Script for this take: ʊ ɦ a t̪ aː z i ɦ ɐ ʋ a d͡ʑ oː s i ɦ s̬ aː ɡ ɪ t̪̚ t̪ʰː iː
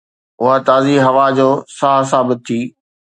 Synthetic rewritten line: ʊ ɦ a t̪ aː z i ɦ ɐ ʋ a d͡ʑ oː s a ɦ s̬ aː b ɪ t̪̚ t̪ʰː iː